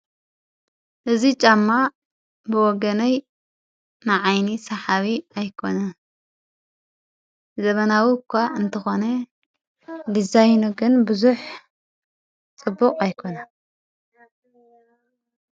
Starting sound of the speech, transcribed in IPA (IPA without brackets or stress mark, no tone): ʔ